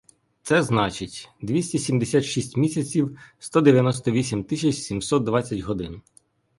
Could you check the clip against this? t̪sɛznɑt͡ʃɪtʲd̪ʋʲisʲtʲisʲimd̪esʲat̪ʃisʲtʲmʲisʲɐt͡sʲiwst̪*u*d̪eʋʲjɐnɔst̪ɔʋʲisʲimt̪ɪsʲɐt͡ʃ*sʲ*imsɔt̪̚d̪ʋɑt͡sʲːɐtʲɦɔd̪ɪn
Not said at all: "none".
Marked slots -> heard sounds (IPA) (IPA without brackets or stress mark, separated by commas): ɔ, sʲ